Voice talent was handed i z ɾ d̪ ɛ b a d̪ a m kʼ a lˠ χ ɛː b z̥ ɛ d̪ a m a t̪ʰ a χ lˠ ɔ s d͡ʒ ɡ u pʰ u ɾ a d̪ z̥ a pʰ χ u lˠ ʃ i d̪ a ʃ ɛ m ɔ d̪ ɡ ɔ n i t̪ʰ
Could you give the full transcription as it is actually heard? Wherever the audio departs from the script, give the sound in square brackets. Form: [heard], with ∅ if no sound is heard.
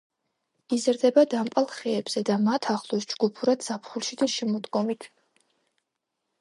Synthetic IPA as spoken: i z ɾ d̪ ɛ b a d̪ a m [pʼ] a lˠ χ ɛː b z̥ ɛ d̪ a m a t̪ʰ a χ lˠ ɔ s d͡ʒ ɡ u pʰ u ɾ a d̪ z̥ a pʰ χ u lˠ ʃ i d̪ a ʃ ɛ m ɔ d̪ ɡ ɔ [m] i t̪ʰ